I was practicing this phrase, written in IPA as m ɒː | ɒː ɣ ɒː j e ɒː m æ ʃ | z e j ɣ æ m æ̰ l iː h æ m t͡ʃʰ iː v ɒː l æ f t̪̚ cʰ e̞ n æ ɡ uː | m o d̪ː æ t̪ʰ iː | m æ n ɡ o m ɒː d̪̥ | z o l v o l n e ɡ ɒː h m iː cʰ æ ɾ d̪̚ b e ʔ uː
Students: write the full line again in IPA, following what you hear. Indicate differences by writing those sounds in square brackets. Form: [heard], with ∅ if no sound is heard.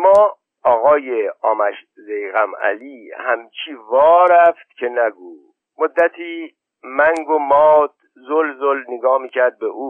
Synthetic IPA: m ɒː | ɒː ɣ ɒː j e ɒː m æ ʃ | z e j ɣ æ m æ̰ l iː h æ m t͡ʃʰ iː v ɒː [ɾ] æ f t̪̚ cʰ e̞ n æ ɡ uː | m o d̪ː æ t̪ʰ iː | m æ [ŋ] ɡ o m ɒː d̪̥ | z o l [z] o l n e ɡ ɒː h m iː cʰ æ ɾ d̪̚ b e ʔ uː